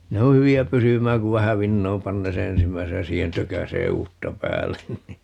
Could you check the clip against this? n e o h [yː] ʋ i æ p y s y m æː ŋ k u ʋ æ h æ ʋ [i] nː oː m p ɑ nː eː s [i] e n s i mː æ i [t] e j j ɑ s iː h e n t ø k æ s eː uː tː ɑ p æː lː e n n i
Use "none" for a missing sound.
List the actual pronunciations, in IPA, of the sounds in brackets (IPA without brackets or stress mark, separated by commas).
y, i, e, s